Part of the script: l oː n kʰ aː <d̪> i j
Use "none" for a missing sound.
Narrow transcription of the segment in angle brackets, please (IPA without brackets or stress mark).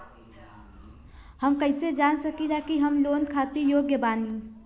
t̪